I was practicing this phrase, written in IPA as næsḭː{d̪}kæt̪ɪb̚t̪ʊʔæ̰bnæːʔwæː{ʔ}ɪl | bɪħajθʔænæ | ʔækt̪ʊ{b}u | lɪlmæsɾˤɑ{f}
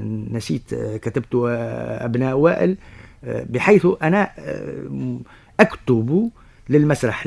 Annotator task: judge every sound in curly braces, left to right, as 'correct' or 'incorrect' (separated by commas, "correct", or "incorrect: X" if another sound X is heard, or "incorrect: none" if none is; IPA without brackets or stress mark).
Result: incorrect: t̪, correct, correct, incorrect: ħ